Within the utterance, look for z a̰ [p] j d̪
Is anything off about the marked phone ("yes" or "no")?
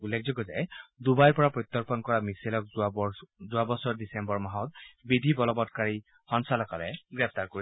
yes